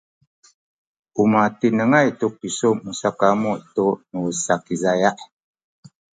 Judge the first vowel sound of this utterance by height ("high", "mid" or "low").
high